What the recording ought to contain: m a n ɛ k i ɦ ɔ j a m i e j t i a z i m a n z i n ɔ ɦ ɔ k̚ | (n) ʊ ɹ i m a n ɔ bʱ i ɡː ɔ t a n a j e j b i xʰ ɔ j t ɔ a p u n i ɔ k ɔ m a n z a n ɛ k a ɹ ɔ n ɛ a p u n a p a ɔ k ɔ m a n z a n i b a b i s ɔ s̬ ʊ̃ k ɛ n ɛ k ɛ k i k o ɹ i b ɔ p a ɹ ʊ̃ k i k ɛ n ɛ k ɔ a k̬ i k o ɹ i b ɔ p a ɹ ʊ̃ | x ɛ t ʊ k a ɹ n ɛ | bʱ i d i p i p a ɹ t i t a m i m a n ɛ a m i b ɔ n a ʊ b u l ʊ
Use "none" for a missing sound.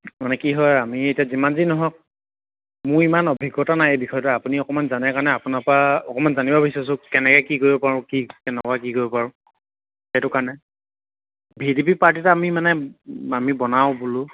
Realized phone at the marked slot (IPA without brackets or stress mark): m